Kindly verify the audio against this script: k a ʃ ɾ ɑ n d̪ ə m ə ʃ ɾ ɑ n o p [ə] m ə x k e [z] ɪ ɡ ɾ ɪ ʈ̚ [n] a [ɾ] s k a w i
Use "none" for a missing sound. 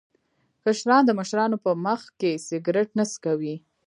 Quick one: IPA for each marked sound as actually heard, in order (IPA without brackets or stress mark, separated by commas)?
ə, s, n, none